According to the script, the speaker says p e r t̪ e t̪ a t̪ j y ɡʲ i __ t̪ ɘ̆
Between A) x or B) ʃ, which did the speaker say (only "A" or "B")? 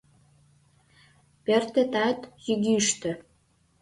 B